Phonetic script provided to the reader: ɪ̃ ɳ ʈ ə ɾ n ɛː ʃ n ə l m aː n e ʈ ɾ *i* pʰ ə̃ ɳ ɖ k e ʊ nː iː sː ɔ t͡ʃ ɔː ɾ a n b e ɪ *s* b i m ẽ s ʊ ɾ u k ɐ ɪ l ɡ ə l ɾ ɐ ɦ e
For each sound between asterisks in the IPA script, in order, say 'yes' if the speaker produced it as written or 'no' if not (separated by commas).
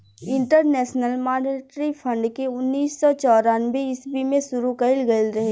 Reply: yes, yes